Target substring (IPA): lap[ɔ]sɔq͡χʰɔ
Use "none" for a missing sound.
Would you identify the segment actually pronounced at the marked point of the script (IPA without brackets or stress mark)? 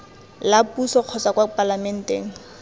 u